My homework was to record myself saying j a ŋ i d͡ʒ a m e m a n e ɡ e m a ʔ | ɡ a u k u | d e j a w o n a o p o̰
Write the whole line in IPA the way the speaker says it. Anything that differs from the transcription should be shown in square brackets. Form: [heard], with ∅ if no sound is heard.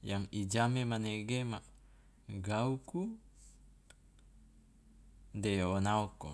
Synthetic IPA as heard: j a ŋ i d͡ʒ a m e m a n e ɡ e m a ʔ | ɡ a u k u | d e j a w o n a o [k] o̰